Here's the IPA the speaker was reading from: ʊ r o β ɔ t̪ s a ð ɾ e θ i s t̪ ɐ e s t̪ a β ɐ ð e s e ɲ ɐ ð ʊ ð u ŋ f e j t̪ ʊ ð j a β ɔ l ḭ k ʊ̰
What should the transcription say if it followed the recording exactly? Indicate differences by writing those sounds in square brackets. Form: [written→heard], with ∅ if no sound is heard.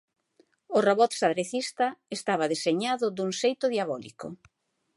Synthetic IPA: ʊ r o β ɔ t̪ s a ð ɾ e θ i s t̪ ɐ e s t̪ a β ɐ ð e s e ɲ [ɐ→a] ð ʊ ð u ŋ [f→s] e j t̪ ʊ ð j a β ɔ l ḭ k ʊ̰

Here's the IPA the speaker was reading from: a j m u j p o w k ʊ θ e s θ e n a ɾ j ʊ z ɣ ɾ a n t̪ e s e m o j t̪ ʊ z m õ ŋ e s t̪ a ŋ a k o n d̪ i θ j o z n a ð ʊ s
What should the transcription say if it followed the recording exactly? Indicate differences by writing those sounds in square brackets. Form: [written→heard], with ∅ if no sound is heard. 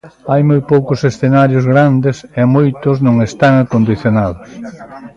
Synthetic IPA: a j m [u→o] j p o w k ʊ [θ→s] e s θ e n a ɾ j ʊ z ɣ ɾ a n [t̪→d̪] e s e m o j t̪ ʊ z [m→n] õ ŋ e s t̪ a ŋ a k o n d̪ i θ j o [z→∅] n a ð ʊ s

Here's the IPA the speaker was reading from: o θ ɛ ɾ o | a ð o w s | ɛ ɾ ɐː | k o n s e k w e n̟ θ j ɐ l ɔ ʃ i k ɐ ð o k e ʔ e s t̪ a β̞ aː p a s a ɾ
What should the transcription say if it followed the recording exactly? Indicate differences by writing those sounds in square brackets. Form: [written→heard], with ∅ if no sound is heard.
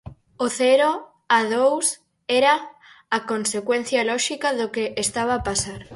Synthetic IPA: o θ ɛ ɾ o | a ð o w s | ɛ ɾ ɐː | k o n s e k w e n̟ θ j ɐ l ɔ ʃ i k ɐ ð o k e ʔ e s t̪ a β̞ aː p a s a ɾ

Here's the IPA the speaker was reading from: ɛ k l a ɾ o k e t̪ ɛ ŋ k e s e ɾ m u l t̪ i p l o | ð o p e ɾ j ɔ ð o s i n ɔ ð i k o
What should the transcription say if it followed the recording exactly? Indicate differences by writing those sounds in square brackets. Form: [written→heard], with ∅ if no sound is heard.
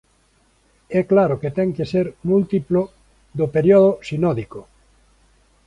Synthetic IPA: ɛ k l a ɾ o k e t̪ ɛ ŋ k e s e ɾ m u l t̪ i p l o | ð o p e ɾ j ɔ ð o s i n ɔ ð i k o

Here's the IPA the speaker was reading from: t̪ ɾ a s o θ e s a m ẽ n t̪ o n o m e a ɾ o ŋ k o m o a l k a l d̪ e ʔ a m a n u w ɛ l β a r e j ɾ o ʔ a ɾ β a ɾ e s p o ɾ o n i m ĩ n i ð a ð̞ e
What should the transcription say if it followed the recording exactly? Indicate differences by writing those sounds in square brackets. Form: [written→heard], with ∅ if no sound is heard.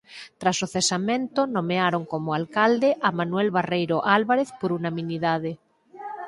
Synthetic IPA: t̪ ɾ a s o θ e s a m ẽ n t̪ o n o m e a ɾ o ŋ k o m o a l k a l d̪ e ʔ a m a n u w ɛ l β a r e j ɾ o ʔ a [ɾ→l] β a ɾ e [s→θ] p o ɾ [o→u] n [i→a] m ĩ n i ð a ð̞ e

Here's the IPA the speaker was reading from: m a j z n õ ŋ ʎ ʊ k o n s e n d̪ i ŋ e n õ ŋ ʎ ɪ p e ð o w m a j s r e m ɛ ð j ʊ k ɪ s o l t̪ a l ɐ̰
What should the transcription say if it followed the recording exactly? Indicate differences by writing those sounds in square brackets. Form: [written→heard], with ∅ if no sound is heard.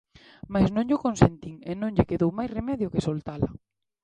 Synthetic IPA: m a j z n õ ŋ ʎ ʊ k o n s e n [d̪→t̪] i ŋ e n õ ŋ ʎ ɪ [p→k] e ð o w m a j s r e m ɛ ð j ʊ k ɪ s o l t̪ a l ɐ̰

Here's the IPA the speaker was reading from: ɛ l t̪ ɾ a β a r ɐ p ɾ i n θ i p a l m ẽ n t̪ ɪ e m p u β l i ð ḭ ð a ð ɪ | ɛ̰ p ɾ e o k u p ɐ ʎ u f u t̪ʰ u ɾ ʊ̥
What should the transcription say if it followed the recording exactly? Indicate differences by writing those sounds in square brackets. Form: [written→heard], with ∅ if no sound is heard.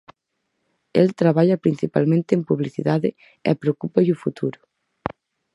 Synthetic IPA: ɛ l t̪ ɾ a β a [r→ʎ] ɐ p ɾ i n θ i p a l m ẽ n t̪ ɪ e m p u β l i [ð→θ] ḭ ð a ð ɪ | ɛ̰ p ɾ e o k u p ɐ ʎ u f u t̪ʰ u ɾ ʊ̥

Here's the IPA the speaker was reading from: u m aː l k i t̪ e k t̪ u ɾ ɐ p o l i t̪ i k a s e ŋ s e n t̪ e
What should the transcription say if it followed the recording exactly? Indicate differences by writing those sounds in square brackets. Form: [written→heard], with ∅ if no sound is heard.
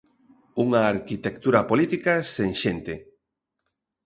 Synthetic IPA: u [m→ŋ] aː [l→ɾ] k i t̪ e k t̪ u ɾ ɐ p o l i t̪ i k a s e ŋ [s→ʃ] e n t̪ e

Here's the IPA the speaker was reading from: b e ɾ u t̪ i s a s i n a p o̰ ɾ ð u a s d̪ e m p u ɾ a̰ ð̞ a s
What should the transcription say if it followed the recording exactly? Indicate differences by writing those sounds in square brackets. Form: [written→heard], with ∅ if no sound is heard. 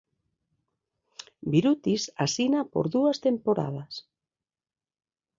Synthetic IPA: b [e→i] ɾ u t̪ i s a s i n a p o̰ ɾ ð u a s [d̪→t̪] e m p [u→o] ɾ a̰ ð̞ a s

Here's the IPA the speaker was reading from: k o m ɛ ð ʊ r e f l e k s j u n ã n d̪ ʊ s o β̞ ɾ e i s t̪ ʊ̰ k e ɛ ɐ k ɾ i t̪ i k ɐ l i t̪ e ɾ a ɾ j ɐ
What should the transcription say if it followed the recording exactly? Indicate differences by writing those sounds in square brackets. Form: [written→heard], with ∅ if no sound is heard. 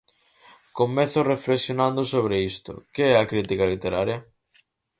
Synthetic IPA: k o m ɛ [ð→θ] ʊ r e f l e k s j [u→o] n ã n d̪ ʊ s o β̞ ɾ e i s t̪ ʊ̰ k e ɛ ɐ k ɾ i t̪ i k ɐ l i t̪ e ɾ a ɾ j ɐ

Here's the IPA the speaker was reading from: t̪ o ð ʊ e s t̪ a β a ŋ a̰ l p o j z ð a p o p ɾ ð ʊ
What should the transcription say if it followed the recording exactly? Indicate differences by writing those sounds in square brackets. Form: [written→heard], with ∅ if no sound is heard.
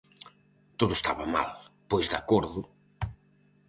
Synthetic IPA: t̪ o ð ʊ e s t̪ a β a [ŋ→m] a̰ l p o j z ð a [p→k] o [p→∅] ɾ ð ʊ

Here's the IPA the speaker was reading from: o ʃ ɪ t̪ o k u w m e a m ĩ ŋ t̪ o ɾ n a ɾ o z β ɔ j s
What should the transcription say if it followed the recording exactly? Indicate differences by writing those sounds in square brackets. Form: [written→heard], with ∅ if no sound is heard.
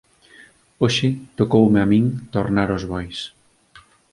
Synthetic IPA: o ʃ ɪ t̪ o k [u→o] w m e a m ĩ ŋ t̪ o ɾ n a ɾ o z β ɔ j s

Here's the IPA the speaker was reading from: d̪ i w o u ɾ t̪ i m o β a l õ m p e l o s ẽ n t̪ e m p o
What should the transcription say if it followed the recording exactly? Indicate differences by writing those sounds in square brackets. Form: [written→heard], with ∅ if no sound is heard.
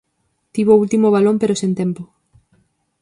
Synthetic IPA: [d̪→t̪] i [w→β] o u [ɾ→l] t̪ i m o β a l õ m p e [l→ɾ] o s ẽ n t̪ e m p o

